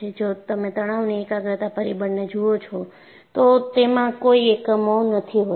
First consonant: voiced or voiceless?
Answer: voiced